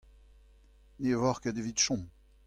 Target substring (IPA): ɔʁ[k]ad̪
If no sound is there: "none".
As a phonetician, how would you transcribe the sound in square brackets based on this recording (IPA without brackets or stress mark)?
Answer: k